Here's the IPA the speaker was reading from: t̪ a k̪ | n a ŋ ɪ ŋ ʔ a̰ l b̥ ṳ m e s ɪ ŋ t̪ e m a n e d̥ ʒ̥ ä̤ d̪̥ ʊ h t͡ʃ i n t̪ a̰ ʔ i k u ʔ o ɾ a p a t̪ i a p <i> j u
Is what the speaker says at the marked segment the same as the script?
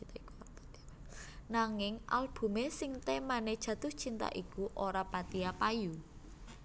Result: no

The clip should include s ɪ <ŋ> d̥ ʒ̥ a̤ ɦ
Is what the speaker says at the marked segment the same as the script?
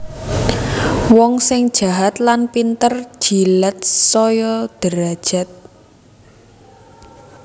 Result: yes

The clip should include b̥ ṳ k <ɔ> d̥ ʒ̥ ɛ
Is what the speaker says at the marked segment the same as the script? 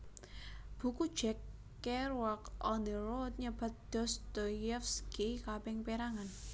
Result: no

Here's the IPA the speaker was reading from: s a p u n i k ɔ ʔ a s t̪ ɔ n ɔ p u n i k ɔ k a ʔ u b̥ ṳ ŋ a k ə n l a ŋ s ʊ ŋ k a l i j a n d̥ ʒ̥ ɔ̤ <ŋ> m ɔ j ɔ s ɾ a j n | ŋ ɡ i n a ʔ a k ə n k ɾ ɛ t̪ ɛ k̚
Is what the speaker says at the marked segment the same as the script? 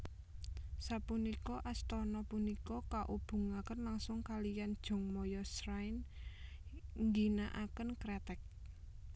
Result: yes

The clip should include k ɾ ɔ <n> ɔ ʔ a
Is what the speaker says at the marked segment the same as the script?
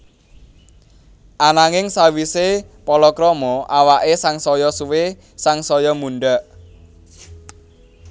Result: no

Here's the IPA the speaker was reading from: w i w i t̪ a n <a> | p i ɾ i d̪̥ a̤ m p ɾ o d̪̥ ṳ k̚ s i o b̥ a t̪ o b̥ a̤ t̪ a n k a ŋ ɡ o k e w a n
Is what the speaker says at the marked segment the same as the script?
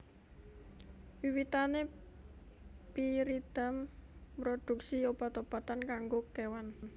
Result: no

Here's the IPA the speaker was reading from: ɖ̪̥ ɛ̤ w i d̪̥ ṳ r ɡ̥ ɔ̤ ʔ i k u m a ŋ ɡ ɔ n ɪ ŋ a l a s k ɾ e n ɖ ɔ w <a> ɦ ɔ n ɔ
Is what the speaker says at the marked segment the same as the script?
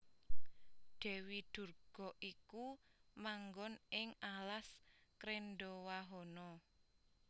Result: yes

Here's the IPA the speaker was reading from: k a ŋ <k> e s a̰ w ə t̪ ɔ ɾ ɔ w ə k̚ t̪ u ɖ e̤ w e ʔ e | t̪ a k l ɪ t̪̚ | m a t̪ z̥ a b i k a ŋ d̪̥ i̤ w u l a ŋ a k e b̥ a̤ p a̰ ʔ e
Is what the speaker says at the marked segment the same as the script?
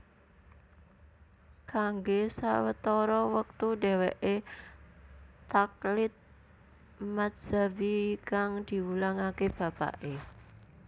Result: no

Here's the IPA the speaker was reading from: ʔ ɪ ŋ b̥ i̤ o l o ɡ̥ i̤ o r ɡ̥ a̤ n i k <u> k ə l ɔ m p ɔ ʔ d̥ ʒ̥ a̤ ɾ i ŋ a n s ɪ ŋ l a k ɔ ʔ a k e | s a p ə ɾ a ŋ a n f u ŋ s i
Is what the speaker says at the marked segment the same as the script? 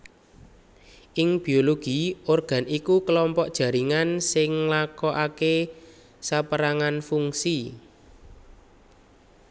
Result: yes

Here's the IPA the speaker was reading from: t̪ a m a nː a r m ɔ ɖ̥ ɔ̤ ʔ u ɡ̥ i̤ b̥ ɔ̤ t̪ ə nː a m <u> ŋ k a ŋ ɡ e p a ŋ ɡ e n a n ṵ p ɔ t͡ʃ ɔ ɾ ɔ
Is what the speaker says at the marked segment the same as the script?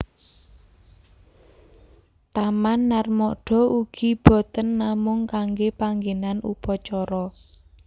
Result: no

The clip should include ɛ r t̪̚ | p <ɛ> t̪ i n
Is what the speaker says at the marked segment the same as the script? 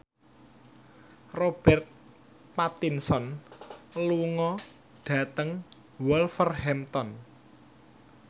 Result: no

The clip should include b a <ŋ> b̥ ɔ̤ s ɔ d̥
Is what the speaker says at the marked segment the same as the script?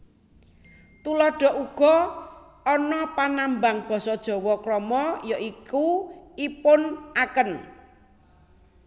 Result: yes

